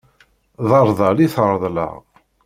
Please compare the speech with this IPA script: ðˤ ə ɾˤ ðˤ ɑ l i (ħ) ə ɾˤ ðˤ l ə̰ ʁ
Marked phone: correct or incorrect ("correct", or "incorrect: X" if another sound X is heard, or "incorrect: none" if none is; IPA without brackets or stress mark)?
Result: incorrect: θ